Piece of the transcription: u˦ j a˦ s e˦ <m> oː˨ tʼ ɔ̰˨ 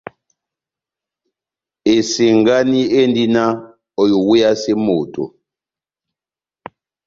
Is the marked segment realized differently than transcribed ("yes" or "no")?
no